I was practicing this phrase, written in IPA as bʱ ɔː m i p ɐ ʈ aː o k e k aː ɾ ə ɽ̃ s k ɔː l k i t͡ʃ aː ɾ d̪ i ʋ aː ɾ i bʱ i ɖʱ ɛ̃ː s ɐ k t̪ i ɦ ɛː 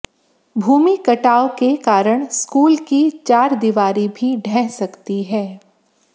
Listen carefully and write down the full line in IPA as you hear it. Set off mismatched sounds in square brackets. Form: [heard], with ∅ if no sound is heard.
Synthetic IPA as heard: bʱ [uː] m i [k] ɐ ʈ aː o k e k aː ɾ ə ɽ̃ s k [uː] l k i t͡ʃ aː ɾ d̪ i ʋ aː ɾ i bʱ i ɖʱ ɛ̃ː s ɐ k t̪ i ɦ ɛː